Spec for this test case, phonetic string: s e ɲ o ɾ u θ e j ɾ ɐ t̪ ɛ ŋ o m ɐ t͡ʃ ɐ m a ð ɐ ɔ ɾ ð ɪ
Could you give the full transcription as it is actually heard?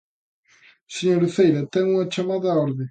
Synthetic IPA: s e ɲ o ɾ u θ e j ɾ ɐ t̪ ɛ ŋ u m ɐ t͡ʃ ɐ m a ð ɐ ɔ ɾ ð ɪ